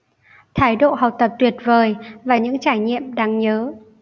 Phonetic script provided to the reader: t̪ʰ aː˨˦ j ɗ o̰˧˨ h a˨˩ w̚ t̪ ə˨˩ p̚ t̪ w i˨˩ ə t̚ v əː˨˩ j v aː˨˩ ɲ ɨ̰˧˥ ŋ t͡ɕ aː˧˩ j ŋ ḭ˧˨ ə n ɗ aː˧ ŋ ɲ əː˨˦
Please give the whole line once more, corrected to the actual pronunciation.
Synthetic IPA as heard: t̪ʰ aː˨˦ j ɗ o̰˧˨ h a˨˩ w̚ t̪ ə˨˩ p̚ t̪ w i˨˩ ə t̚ v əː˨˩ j v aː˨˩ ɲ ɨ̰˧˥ ŋ t͡ɕ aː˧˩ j ɲ ḭ˧˨ ə m ɗ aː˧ ŋ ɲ əː˨˦

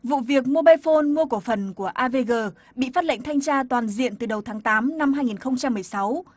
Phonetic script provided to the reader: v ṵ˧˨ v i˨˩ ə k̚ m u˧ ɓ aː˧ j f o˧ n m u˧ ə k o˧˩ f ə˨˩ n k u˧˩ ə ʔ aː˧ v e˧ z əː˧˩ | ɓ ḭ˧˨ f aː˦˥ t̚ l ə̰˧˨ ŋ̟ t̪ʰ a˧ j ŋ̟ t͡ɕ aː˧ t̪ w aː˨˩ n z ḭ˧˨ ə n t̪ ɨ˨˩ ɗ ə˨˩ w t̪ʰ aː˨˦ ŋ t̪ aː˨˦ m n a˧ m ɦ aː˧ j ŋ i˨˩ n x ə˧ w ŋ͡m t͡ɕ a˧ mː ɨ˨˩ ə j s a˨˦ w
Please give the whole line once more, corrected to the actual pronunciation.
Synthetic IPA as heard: v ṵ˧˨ v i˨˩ ə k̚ m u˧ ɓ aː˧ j f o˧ n m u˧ ə k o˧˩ f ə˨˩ n k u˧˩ ə ʔ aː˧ v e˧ ɣ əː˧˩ | ɓ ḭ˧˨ f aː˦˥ t̚ l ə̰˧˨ ŋ̟ t̪ʰ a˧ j ŋ̟ t͡ɕ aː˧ t̪ w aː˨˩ n z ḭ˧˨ ə n t̪ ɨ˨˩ ɗ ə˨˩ w t̪ʰ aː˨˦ ŋ t̪ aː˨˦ m n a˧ m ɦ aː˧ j ŋ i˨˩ n x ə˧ w ŋ͡m t͡ɕ a˧ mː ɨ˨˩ ə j s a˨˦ w

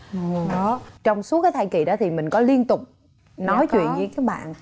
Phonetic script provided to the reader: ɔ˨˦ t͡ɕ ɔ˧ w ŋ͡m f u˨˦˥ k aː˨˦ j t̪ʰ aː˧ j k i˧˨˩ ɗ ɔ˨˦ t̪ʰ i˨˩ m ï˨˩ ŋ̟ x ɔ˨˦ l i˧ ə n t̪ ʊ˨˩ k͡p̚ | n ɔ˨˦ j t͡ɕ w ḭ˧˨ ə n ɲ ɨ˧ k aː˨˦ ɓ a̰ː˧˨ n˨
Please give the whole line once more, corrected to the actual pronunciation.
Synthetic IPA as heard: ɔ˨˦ t͡ɕ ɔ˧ w ŋ͡m s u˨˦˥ k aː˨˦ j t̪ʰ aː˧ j k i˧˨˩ ɗ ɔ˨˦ t̪ʰ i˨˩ m ï˨˩ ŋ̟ k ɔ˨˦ l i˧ ə n t̪ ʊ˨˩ k͡p̚ | n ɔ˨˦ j t͡ɕ w ḭ˧˨ ə n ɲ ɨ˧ k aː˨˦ ɓ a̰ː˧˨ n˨

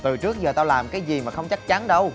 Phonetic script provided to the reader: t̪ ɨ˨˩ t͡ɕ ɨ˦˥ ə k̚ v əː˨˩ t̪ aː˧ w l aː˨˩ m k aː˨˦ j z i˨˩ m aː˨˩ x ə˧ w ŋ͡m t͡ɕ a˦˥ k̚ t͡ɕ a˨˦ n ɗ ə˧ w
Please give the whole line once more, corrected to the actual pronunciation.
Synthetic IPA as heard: t̪ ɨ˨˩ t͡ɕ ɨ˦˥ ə k̚ z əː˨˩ t̪ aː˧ w l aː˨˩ m k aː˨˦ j z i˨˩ m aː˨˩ x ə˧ w ŋ͡m t͡ɕ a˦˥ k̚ t͡ɕ a˨˦ n ɗ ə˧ w

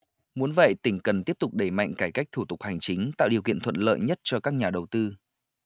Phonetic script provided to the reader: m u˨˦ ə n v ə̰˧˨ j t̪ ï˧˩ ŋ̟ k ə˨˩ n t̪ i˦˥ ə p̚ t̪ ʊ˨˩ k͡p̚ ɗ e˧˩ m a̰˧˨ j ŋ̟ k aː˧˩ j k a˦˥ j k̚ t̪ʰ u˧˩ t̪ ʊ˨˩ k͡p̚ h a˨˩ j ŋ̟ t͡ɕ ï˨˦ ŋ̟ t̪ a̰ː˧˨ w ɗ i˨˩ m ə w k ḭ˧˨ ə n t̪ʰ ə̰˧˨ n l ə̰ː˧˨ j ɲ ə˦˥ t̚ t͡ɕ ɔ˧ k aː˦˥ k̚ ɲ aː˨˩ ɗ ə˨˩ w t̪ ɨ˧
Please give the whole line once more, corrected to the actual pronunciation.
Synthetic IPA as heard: m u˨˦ ə n v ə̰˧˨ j t̪ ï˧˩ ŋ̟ k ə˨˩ n t̪ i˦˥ ə p̚ t̪ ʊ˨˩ k͡p̚ ɗ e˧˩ m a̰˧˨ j ŋ̟ k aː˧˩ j k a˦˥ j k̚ t̪ʰ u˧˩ t̪ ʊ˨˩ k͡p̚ h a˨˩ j ŋ̟ t͡ɕ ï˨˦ ŋ̟ t̪ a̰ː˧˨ w ɗ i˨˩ ə w k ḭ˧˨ ə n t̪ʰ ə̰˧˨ n l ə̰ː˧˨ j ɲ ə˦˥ t̚ t͡ɕ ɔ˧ k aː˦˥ k̚ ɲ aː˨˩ ɗ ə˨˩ w t̪ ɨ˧

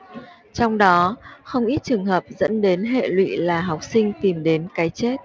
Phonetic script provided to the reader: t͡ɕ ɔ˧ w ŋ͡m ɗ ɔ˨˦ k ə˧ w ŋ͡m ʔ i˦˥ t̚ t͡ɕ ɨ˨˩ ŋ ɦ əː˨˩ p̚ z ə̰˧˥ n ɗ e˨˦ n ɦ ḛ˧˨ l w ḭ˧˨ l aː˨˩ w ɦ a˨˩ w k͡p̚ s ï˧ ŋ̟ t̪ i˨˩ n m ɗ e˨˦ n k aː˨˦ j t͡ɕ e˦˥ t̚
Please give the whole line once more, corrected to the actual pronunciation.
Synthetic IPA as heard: t͡ɕ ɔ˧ w ŋ͡m ɗ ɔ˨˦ x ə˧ w ŋ͡m ʔ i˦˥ t̚ t͡ɕ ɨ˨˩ ŋ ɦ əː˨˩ p̚ z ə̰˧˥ n ɗ e˨˦ n ɦ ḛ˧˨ l w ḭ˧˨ l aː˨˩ ɦ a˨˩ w k͡p̚ s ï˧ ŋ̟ t̪ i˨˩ m ɗ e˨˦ n k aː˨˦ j t͡ɕ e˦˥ t̚

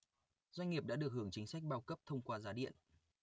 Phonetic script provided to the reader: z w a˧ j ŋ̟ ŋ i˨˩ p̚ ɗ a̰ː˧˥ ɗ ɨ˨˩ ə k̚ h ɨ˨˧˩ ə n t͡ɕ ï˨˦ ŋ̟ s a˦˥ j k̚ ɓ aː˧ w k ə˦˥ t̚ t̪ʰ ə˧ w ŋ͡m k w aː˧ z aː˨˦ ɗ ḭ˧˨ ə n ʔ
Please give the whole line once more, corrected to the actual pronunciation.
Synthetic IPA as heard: z w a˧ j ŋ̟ ŋ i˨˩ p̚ ɗ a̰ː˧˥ ɗ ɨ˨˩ ə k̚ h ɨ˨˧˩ ə ŋ t͡ɕ ï˨˦ ŋ̟ s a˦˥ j k̚ ɓ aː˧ w k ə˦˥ p̚ t̪ʰ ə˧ w ŋ͡m k w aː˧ z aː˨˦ ɗ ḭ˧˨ ə n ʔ

